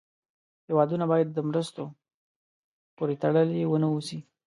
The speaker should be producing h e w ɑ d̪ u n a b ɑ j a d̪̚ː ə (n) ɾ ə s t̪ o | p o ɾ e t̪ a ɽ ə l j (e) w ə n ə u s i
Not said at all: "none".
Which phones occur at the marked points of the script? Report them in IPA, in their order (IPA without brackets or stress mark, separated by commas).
m, e